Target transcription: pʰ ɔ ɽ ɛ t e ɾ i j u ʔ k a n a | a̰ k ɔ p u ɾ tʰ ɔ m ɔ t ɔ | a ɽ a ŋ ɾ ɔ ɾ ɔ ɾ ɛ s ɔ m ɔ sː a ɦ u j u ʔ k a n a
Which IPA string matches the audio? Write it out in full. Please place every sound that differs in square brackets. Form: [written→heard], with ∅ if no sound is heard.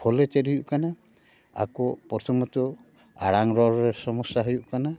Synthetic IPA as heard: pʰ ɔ [ɽ→l] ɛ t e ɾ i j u ʔ k a n a | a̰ k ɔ p [u→ɔ] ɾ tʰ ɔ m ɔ t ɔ | a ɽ a ŋ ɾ ɔ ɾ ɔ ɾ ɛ s ɔ m ɔ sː a ɦ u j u ʔ k a n a